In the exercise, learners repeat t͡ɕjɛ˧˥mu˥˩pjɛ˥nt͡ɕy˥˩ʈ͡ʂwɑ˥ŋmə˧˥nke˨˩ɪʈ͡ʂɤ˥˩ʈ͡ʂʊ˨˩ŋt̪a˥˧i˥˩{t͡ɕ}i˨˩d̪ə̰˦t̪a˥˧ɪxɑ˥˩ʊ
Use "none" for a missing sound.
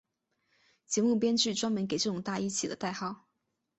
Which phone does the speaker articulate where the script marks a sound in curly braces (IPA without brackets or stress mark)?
t͡ɕʰ